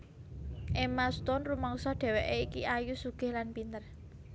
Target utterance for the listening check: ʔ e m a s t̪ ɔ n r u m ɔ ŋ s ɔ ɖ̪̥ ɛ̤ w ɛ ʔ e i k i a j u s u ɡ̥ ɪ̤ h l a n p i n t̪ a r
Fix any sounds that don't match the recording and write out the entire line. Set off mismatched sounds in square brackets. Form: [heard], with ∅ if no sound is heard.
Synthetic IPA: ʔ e m a s t̪ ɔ n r u m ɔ ŋ s ɔ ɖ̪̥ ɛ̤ w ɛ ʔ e i k i a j u s u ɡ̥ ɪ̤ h l a n p i n t̪ [ə] r